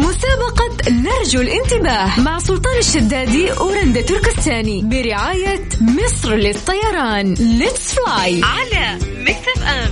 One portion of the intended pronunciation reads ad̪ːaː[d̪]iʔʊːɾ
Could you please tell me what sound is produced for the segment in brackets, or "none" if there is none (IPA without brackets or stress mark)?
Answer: d̪